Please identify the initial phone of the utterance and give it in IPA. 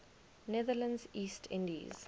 n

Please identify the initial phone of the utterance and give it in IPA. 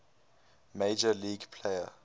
m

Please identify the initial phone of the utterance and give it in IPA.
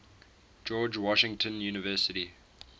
d͡ʒ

